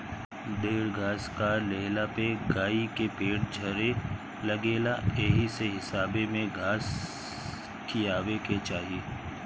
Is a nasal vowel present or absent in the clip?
present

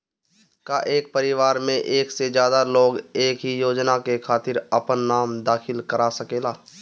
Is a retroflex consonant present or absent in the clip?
absent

